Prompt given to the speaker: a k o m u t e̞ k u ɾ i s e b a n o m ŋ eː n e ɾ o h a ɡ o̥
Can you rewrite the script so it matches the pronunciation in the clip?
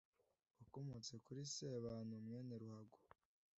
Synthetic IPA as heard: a k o m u t͡s e̞ k u ɾ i s e β a n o m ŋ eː n e ɾ u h a ɡ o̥